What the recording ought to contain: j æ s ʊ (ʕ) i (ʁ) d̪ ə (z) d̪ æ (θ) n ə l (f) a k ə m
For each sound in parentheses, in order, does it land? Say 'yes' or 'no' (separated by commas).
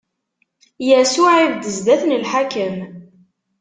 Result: yes, no, yes, yes, no